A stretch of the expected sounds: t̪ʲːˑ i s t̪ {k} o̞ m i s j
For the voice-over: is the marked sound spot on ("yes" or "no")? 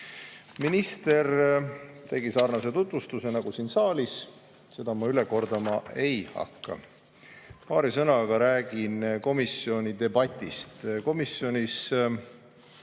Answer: yes